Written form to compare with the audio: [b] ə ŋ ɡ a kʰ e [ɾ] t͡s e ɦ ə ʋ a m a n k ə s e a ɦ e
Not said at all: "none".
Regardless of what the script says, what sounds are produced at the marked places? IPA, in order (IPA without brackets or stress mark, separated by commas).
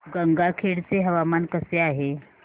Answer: ɡ, ɽ